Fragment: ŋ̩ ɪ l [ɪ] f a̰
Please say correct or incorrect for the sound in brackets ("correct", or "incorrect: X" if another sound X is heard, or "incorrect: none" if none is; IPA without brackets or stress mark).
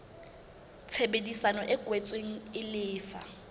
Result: incorrect: ɪː